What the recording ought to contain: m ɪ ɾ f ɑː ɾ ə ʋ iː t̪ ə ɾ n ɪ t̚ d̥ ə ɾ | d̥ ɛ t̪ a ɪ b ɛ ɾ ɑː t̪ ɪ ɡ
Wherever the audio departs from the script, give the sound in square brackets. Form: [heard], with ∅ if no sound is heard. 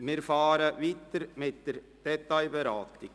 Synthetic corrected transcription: m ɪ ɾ f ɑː ɾ ə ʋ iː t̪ ə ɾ [m] ɪ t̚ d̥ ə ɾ | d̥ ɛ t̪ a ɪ b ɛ ɾ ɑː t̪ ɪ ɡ